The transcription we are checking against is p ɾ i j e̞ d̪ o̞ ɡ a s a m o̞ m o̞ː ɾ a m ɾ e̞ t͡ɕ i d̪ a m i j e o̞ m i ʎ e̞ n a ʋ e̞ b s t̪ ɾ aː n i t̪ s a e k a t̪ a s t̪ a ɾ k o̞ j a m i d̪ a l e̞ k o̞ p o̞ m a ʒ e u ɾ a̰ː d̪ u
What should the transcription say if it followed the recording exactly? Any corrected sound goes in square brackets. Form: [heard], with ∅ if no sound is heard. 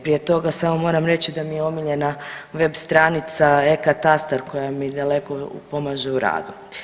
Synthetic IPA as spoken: p ɾ i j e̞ [t̪] o̞ ɡ a s a m o̞ m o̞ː ɾ a m ɾ e̞ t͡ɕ i d̪ a m i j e o̞ m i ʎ e̞ n a ʋ e̞ b s t̪ ɾ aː n i t̪ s a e k a t̪ a s t̪ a ɾ k o̞ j a m i d̪ a l e̞ k o̞ p o̞ m a ʒ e u ɾ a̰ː d̪ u